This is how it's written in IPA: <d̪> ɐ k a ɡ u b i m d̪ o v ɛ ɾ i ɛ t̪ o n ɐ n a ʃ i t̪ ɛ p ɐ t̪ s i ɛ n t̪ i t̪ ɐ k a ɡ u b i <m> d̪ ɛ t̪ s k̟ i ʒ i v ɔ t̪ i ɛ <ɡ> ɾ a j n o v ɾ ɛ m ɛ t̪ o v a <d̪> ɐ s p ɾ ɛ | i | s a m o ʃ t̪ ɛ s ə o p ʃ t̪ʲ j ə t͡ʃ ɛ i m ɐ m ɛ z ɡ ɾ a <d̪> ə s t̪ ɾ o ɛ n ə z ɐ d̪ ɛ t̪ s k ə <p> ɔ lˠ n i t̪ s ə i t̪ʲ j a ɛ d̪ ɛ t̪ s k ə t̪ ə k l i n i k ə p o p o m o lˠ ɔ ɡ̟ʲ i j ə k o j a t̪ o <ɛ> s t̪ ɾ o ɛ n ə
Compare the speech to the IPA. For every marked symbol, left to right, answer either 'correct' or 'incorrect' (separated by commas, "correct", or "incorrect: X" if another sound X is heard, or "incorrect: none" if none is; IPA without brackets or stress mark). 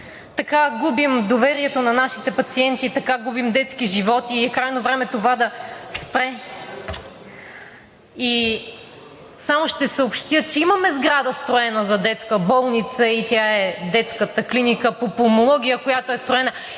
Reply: incorrect: t̪, correct, incorrect: k, correct, correct, incorrect: b, correct